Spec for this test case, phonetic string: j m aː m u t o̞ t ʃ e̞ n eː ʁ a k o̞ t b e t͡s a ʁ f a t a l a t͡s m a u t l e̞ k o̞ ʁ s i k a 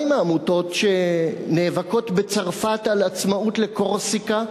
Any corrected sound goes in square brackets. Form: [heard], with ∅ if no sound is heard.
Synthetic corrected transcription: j m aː m u t o̞ t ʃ e̞ n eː [v] a k o̞ t b e t͡s a ʁ f a t a l a t͡s m a u t l e̞ k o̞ ʁ s i k a